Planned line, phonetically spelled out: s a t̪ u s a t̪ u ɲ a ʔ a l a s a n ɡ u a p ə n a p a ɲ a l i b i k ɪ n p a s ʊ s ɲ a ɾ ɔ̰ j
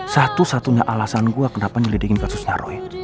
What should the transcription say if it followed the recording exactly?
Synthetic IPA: s a t̪ u s a t̪ u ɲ a ʔ a l a s a n ɡ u a k ə n a p a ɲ a l i d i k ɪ n k a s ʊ s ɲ a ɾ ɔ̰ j